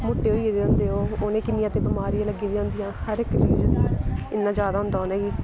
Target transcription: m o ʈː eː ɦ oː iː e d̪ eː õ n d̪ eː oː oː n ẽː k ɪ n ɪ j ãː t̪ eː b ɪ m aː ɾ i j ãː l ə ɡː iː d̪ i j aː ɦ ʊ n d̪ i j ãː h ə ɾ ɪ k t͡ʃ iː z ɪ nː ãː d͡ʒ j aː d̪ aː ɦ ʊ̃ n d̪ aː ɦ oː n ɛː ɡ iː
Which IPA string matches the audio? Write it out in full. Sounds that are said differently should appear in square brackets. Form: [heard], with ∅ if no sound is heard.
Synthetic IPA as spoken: m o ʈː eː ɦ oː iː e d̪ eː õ n d̪ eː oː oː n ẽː k ɪ n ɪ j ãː t̪ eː b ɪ m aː ɾ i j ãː l ə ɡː iː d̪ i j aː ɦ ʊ n d̪ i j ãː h ə ɾ ɪ k t͡ʃ iː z ɪ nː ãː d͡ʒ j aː d̪ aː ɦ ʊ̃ n d̪ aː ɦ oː n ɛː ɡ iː